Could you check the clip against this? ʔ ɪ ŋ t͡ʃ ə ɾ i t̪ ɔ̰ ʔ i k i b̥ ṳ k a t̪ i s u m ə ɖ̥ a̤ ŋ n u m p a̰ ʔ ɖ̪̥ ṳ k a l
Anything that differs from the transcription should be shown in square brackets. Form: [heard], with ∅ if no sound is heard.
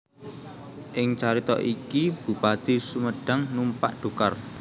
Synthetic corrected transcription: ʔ ɪ ŋ t͡ʃ [a] ɾ i t̪ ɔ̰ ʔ i k i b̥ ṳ [p] a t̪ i s u m ə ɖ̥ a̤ ŋ n u m p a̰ ʔ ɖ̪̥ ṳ k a [r]

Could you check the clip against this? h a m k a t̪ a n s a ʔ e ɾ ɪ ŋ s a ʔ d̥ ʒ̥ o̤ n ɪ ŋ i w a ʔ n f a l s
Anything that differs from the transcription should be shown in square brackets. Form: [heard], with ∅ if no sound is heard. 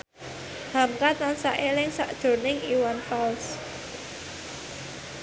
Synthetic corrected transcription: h a m k a t̪ a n s a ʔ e [l] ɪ ŋ s a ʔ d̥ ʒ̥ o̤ n ɪ ŋ i w a [∅] n f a l s

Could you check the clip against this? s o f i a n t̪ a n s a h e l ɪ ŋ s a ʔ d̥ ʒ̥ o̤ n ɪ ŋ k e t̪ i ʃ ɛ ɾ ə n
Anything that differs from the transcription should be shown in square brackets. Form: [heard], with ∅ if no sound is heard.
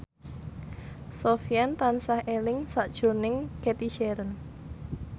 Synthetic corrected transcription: s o f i a n t̪ a n s a h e l ɪ ŋ s a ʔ d̥ ʒ̥ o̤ n ɪ ŋ k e t̪ i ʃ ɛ ɾ ə n

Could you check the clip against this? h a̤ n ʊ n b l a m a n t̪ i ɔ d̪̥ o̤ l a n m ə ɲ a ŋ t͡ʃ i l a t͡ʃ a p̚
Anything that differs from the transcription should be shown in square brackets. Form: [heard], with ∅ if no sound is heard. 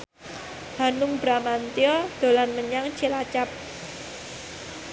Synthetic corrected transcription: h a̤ n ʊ [ŋ] b [ɾ] a m a n t̪ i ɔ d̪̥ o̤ l a n m ə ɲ a ŋ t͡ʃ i l a t͡ʃ a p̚

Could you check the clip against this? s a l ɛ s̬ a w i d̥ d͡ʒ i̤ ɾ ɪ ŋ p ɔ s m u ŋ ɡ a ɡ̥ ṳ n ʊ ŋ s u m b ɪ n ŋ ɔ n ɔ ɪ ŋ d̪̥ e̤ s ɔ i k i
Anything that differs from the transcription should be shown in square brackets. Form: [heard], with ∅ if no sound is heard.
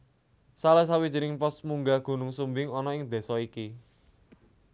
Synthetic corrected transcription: s a l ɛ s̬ a w i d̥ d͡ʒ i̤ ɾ ɪ ŋ p ɔ s m u ŋ ɡ a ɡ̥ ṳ n ʊ ŋ s u m b ɪ [∅] ŋ ɔ n ɔ ɪ ŋ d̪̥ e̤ s ɔ i k i

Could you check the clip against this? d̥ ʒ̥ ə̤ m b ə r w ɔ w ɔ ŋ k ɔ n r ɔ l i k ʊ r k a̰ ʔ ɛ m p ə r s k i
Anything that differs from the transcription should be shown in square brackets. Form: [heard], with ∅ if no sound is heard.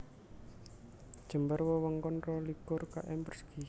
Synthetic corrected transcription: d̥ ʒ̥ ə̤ m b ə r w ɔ w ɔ ŋ k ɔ n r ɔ l i k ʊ r k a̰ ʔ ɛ m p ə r s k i

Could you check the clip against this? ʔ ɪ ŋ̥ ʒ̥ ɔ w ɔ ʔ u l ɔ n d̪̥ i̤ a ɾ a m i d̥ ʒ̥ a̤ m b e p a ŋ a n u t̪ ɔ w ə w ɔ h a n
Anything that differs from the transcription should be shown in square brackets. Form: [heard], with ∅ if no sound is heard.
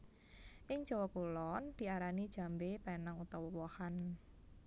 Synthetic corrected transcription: ʔ ɪ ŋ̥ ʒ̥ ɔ w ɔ [k] u l ɔ n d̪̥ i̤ a ɾ a [n] i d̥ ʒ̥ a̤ m b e p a [n] a [ŋ] u t̪ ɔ w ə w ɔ h a n

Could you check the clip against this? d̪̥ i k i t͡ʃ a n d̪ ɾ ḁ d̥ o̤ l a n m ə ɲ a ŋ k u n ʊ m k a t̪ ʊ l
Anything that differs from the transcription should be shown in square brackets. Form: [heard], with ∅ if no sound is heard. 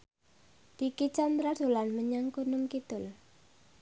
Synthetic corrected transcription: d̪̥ i k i t͡ʃ a n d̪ ɾ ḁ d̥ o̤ l a n m ə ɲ a ŋ k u n ʊ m k [i] t̪ ʊ l

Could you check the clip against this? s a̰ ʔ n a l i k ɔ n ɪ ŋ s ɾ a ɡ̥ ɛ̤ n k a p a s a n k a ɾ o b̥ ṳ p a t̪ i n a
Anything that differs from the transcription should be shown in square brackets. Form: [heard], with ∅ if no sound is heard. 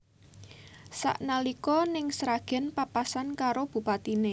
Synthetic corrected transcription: s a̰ ʔ n a l i k ɔ n ɪ ŋ s ɾ a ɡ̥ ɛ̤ n [p] a p a s a n k a ɾ o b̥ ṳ p a t̪ i n [e]

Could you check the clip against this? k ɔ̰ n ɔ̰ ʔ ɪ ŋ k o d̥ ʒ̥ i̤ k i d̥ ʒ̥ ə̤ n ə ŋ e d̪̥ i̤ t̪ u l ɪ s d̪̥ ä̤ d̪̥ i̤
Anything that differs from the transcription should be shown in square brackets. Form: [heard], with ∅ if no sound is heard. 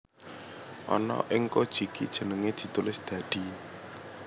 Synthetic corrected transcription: [ʔ] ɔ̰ n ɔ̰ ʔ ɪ ŋ k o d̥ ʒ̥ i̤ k i d̥ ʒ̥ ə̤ n ə ŋ e d̪̥ i̤ t̪ u l ɪ s d̪̥ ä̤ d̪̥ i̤

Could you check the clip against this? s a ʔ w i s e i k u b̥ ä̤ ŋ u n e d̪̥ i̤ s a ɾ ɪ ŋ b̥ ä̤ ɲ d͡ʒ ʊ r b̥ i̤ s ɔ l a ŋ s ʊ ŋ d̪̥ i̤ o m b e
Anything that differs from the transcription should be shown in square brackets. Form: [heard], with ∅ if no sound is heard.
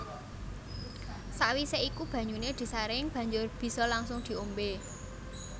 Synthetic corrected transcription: s a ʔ w i s e i k u b̥ ä̤ [ɲ] u n e d̪̥ i̤ s a ɾ ɪ ŋ b̥ ä̤ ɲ d͡ʒ ʊ r b̥ i̤ s ɔ l a ŋ s ʊ ŋ d̪̥ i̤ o m b e

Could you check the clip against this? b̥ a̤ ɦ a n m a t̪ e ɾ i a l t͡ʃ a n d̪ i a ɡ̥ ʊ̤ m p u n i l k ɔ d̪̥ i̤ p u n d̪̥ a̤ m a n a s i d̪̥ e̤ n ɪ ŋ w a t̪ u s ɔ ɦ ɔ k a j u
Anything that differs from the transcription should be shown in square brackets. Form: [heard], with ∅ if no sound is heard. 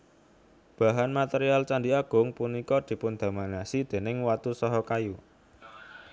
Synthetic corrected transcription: b̥ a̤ ɦ a n m a t̪ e ɾ i a l t͡ʃ a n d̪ i a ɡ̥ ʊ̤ [ŋ] p u n i [∅] k ɔ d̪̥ i̤ p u n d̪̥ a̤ m a n a s i d̪̥ e̤ n ɪ ŋ w a t̪ u s ɔ ɦ ɔ k a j u

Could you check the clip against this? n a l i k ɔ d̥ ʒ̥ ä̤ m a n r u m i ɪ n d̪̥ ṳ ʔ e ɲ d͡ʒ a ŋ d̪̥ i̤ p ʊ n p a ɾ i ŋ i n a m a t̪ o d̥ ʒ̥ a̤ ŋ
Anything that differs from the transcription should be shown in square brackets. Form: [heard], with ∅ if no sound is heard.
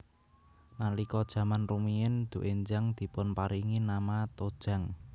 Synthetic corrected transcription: n a l i k ɔ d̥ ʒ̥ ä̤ m a n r u m i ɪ n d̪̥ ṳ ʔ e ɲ d͡ʒ a ŋ d̪̥ i̤ p ʊ n p a ɾ i ŋ i n a m a t̪ o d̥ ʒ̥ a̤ ŋ

